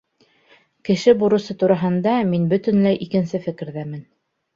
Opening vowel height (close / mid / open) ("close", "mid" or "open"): mid